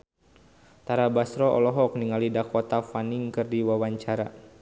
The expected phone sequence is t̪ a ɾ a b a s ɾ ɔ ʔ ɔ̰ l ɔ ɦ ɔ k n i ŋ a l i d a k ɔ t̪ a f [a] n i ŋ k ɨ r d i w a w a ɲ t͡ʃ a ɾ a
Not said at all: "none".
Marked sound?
a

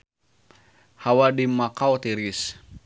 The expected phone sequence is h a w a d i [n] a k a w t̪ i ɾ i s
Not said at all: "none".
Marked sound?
m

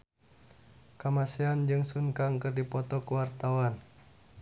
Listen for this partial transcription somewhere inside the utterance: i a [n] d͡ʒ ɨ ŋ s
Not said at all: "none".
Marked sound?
n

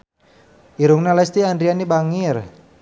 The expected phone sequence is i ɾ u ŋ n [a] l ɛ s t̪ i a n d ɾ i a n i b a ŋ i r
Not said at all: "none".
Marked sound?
a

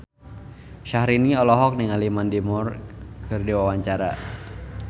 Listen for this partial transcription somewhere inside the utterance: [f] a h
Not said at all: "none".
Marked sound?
ʃ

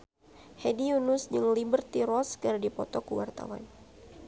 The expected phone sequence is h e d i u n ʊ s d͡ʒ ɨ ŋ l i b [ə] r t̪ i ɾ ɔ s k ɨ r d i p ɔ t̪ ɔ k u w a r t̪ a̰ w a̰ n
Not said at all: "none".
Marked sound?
ə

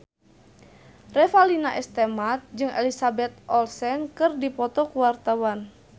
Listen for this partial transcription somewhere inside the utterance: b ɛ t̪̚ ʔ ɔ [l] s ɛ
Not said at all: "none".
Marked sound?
l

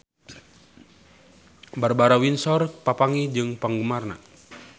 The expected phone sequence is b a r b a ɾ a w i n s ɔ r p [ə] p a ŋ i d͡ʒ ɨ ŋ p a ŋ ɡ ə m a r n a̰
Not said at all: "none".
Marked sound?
a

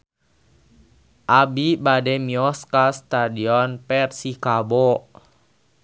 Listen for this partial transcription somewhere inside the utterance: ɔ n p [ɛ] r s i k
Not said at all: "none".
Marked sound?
ɛ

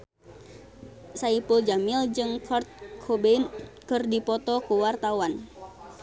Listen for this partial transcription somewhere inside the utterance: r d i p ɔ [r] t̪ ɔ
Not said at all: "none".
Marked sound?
none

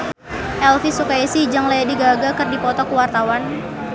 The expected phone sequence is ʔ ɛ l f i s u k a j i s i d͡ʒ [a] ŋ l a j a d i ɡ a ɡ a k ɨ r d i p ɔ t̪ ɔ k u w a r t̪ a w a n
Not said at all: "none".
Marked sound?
a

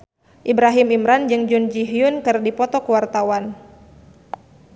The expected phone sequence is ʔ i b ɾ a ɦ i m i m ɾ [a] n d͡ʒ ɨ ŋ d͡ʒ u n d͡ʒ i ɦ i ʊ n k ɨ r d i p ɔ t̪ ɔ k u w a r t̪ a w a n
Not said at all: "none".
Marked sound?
a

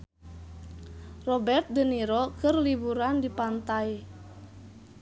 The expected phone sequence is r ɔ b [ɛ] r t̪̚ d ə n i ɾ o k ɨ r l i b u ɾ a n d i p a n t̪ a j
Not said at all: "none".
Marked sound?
ɛ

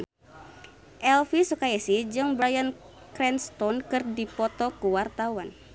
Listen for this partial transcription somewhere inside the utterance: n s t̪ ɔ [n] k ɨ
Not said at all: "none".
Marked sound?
n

